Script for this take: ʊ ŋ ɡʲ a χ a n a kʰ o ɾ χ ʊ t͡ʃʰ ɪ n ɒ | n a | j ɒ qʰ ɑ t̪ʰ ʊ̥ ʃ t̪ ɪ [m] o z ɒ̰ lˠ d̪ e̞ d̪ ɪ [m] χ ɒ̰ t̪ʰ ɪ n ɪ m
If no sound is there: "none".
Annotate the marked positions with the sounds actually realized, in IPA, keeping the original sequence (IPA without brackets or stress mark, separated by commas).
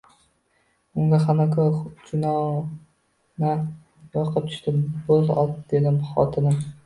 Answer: b, m